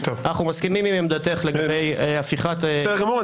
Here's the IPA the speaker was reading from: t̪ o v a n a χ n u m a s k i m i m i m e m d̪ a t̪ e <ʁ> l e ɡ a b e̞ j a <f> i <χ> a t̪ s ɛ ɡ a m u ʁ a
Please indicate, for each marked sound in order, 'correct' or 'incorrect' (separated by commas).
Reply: incorrect, correct, correct